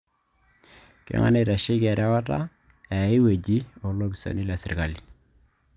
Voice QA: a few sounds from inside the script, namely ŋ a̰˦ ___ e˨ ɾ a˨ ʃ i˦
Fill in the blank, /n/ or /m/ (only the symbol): n